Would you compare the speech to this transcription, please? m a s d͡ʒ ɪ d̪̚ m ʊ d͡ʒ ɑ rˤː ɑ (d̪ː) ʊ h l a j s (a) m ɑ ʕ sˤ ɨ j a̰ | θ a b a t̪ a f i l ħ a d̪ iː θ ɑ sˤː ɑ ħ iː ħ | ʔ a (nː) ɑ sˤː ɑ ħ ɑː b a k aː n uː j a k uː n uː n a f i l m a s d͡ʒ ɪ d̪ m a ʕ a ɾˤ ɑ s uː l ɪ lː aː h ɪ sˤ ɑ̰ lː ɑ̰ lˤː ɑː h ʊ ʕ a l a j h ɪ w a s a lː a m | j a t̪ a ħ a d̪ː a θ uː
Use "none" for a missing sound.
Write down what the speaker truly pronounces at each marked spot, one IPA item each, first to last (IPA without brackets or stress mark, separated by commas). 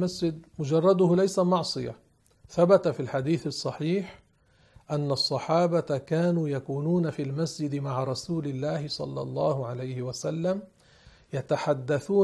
d̪, a, nː